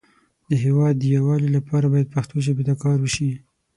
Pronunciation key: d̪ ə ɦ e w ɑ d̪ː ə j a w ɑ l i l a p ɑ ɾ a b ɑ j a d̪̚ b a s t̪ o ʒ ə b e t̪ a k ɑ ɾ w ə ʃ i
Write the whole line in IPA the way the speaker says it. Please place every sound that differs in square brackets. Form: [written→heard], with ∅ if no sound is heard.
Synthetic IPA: d̪ ə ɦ e w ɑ d̪ː ə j a w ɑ l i l a p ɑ ɾ a b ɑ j a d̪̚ [b→p] a [s→x] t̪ o ʒ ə b e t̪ a k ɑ ɾ w ə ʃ i